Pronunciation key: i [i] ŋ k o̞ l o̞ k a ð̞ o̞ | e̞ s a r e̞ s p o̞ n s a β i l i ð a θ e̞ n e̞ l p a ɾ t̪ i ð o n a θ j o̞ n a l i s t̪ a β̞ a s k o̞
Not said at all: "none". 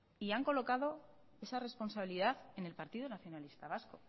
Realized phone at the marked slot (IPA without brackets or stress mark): a